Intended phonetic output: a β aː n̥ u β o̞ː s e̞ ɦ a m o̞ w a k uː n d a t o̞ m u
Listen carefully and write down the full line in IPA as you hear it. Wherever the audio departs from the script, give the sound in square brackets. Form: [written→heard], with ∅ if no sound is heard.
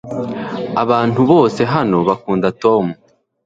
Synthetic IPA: a β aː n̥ u β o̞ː s e̞ ɦ a [m→n] o̞ [w→β] a k uː n d a t o̞ m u